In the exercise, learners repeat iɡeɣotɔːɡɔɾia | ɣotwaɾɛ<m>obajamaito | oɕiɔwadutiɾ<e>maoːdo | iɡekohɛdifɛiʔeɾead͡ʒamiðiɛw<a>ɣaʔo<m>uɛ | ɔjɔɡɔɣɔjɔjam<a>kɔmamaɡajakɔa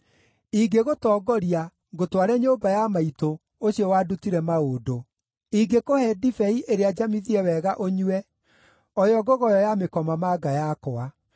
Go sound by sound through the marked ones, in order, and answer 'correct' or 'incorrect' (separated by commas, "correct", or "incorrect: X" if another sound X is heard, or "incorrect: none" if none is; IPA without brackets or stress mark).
incorrect: ɲ, incorrect: ɛ, incorrect: ɛ, incorrect: ɲ, incorrect: e